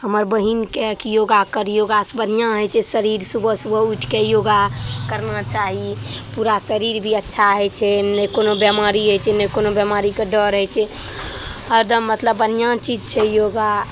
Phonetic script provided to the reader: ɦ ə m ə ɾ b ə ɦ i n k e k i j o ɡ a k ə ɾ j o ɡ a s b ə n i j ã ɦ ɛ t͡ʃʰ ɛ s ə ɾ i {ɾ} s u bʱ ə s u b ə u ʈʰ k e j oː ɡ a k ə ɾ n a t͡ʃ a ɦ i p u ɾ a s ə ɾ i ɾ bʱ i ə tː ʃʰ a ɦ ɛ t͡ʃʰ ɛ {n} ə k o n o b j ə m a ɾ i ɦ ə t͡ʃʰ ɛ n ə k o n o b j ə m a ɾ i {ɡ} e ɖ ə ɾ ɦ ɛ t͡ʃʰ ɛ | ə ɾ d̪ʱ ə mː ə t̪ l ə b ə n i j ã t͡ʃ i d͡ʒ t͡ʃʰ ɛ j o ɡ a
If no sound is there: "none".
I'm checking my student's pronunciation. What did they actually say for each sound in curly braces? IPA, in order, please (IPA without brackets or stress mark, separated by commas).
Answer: ɾ, n, k